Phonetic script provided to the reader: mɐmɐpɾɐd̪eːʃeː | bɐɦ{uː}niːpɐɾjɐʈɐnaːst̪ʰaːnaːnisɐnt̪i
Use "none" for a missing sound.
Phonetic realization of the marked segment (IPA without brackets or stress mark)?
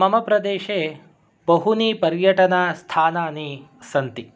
u